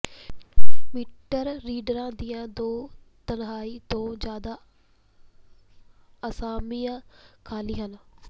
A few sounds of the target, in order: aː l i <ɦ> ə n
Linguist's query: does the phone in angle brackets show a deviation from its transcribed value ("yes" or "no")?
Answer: no